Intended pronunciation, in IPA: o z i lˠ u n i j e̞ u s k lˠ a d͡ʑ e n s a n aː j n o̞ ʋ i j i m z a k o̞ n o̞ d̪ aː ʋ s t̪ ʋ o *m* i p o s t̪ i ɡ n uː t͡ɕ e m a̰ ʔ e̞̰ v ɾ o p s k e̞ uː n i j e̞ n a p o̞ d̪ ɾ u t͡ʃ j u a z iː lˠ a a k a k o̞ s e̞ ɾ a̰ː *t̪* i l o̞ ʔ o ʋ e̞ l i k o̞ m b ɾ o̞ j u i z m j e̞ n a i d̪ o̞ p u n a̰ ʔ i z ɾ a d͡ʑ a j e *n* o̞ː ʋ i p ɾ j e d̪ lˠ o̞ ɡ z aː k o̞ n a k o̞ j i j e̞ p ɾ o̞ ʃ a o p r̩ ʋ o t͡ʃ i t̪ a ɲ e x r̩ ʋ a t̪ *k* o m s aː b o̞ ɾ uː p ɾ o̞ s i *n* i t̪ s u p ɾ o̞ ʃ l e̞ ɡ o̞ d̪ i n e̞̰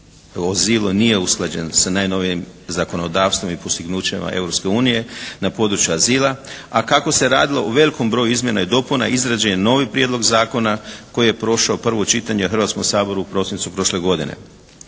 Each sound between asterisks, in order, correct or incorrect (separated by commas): correct, incorrect, correct, correct, correct